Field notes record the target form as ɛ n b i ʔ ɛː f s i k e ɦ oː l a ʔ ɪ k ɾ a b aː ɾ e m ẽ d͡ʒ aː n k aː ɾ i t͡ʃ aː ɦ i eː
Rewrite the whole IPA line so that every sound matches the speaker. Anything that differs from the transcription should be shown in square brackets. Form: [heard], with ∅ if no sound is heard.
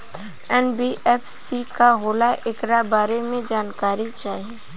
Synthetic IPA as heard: ɛ n b i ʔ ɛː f s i k [a] ɦ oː l a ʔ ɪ k ɾ a b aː ɾ e m ẽ d͡ʒ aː n k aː ɾ i t͡ʃ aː ɦ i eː